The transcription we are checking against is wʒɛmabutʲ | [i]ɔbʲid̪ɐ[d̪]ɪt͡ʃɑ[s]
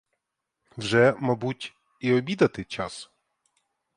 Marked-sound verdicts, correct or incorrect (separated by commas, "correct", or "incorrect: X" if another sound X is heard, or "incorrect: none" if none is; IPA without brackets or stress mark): correct, incorrect: t̪, correct